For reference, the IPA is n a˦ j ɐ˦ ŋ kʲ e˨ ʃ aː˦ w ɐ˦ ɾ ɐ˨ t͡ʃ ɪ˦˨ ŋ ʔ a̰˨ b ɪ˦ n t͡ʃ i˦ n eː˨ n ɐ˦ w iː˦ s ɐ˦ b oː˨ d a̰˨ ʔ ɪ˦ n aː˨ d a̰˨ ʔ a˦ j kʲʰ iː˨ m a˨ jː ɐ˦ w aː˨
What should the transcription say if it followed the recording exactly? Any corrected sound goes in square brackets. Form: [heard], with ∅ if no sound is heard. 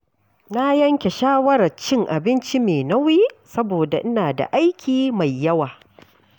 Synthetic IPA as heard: n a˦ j ɐ˦ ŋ kʲ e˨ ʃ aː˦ w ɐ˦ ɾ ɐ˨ t͡ʃ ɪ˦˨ ŋ ʔ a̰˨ b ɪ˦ n t͡ʃ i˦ [m] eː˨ n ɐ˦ w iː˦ s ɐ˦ b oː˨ d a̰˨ ʔ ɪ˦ n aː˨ d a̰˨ ʔ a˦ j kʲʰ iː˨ m a˨ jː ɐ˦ w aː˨